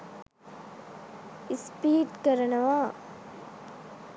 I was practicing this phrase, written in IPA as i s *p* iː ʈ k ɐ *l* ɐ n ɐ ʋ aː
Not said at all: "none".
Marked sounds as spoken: p, ɾ

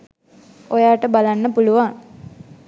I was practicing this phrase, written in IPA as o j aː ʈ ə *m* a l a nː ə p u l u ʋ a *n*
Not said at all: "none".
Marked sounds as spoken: b, ŋ

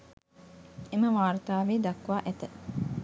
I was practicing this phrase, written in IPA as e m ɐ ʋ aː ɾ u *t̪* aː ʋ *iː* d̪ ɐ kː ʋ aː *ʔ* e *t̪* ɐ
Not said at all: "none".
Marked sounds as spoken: t̪, iː, ʔ, t̪

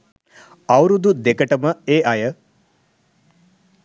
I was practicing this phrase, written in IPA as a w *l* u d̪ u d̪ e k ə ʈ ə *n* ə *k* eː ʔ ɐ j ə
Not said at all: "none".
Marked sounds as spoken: ɾ, m, none

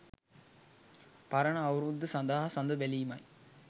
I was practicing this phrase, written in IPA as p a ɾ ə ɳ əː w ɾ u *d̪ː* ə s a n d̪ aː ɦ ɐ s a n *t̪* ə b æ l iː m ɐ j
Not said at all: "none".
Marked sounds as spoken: d̪ː, d̪

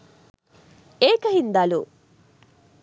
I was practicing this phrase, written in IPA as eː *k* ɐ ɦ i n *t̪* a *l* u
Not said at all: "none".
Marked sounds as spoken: k, d̪, l

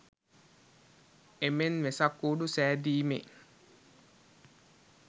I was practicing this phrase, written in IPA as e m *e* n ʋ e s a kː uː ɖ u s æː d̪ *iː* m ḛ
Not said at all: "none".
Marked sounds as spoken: e, iː

